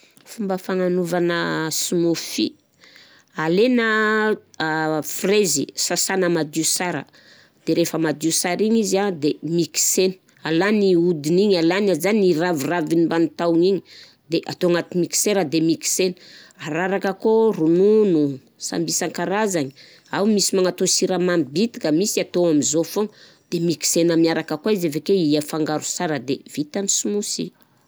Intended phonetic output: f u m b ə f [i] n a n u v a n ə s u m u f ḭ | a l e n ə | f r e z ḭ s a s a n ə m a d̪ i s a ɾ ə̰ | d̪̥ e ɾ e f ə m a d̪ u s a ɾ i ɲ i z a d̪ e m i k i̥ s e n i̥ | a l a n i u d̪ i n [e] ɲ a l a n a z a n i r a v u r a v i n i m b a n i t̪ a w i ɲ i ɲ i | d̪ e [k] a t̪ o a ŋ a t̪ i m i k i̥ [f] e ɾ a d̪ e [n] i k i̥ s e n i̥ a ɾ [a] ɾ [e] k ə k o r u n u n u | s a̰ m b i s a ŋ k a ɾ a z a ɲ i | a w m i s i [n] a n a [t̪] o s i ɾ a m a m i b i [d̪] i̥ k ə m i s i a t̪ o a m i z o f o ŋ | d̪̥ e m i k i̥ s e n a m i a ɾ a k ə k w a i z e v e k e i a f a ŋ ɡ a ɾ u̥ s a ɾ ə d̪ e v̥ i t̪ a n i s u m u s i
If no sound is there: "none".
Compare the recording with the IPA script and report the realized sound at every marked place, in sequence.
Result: a, i, ʔ, s, m, a, a, m, t̪, t̪

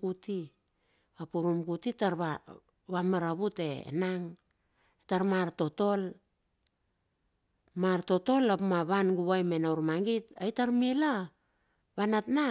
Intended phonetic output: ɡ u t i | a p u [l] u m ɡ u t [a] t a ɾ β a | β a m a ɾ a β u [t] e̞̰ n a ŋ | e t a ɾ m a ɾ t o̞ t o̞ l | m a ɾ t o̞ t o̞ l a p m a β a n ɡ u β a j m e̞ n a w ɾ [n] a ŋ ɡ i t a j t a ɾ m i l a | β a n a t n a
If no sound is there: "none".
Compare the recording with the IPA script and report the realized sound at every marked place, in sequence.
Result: ɾ, i, t, m

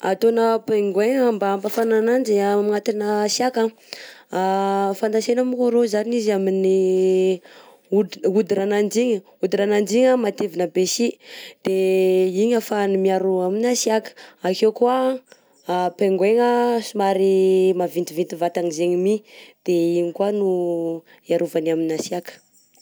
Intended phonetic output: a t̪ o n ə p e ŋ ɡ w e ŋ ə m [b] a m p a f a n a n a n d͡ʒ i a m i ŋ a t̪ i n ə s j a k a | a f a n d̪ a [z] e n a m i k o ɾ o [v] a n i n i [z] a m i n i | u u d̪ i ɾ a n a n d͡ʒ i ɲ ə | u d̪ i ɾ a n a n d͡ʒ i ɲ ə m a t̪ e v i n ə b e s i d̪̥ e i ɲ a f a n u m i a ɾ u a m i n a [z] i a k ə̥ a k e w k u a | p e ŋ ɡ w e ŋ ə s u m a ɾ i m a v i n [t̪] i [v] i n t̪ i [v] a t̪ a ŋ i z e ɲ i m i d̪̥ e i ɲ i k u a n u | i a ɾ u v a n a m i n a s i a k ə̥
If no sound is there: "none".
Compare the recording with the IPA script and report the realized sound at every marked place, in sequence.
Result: b, s, z, z, s, t̪, v, v

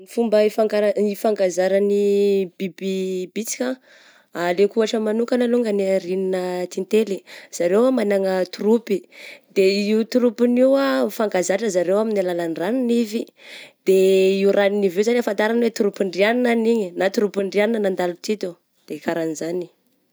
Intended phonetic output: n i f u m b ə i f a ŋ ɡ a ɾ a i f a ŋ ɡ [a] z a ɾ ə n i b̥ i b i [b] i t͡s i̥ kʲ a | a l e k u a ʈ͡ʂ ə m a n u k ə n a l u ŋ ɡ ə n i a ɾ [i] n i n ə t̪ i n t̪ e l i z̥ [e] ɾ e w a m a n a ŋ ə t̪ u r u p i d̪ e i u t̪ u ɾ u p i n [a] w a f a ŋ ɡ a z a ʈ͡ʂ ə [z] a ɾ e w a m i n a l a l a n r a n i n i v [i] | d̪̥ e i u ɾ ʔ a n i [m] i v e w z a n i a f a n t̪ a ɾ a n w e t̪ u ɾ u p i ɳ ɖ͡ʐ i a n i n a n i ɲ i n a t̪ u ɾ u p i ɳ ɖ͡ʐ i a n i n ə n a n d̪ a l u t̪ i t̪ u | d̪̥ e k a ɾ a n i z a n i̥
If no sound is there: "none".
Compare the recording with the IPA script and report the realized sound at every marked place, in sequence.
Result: a, b, i, a, i, z, i, n

